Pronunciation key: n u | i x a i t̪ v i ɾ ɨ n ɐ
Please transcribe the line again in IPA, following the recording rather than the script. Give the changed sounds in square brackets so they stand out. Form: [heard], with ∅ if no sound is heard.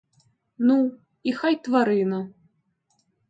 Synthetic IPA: n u | i x a [j] t̪ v [a] ɾ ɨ n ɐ